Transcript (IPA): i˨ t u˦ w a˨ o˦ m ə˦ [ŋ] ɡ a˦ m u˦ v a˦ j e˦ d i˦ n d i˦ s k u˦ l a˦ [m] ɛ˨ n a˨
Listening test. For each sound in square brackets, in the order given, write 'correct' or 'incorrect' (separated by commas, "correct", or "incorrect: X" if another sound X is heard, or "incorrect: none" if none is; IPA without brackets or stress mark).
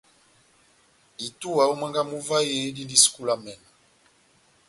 correct, correct